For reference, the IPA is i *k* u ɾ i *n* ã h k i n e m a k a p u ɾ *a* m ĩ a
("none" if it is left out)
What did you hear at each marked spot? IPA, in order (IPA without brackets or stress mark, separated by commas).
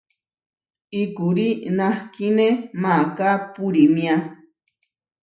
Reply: k, n, i